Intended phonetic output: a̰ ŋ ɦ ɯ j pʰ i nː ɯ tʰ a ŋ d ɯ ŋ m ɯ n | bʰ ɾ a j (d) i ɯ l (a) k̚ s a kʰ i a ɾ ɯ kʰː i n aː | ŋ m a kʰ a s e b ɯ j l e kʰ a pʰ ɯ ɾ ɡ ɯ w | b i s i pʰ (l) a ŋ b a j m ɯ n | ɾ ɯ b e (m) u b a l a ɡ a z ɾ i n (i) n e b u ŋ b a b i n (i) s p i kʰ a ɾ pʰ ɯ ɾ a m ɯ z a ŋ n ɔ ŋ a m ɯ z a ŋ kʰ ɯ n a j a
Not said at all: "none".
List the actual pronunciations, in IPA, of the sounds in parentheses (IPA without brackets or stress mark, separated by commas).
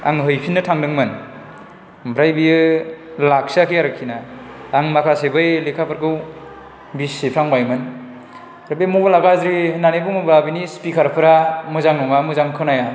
b, a, ɾ, m, a, i